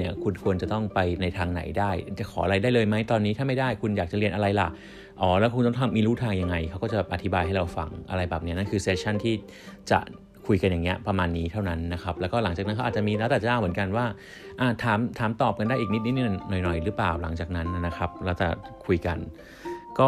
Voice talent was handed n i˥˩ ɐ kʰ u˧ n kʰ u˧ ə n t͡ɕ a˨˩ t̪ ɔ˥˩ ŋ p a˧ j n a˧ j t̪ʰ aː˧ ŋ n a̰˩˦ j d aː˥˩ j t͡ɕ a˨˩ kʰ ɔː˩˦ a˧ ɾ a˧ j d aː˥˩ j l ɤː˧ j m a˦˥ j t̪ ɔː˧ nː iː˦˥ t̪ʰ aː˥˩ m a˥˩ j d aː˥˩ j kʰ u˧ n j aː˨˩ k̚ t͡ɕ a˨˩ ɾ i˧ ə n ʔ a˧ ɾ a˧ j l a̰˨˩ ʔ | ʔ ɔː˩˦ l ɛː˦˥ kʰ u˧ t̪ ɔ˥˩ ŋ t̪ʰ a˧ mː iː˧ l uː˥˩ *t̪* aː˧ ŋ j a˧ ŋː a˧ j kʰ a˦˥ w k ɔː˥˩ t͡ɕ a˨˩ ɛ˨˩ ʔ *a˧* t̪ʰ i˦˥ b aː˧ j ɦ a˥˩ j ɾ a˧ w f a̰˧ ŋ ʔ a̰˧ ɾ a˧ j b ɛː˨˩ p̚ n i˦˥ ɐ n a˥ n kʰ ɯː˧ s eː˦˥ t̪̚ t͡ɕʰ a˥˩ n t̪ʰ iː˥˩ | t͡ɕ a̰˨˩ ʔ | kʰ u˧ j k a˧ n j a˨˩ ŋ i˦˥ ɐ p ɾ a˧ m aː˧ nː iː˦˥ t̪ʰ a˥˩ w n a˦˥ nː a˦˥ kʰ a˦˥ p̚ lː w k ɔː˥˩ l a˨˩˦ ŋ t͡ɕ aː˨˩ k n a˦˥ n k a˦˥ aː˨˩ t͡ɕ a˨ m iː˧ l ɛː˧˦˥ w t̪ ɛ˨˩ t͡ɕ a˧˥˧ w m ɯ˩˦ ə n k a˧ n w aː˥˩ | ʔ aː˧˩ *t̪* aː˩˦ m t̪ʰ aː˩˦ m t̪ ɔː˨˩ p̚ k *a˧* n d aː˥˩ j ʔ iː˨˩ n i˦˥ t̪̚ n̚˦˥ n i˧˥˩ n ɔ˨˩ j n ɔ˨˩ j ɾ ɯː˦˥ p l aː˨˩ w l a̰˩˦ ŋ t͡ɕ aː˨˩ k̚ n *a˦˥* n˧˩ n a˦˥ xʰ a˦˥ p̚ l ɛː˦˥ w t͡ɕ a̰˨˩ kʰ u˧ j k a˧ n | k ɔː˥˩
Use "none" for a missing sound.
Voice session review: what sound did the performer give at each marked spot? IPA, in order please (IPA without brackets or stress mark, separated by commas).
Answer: t̪ʰ, a˧, t̪ʰ, a˧, a˦˥